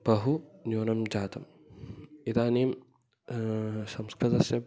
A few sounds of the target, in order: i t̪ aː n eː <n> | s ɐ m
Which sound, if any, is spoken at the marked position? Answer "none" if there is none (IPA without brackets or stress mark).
m